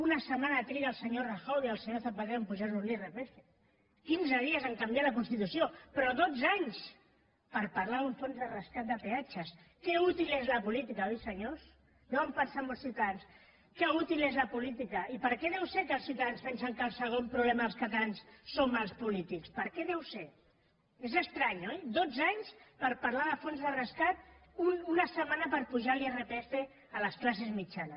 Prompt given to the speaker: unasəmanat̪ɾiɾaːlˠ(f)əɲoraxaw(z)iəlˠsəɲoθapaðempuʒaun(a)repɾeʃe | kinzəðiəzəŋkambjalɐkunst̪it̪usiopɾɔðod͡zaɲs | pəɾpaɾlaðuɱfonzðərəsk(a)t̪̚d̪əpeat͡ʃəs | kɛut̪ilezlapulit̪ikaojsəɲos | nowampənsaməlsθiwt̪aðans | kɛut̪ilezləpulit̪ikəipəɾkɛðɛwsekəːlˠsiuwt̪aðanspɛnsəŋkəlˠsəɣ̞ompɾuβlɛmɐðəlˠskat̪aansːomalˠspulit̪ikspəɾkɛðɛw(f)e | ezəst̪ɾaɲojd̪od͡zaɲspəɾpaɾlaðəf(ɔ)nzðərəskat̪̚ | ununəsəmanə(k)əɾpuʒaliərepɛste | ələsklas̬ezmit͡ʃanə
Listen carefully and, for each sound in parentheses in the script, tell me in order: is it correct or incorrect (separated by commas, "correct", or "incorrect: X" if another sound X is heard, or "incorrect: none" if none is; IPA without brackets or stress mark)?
incorrect: s, incorrect: ð, incorrect: i, correct, incorrect: s, incorrect: o, incorrect: p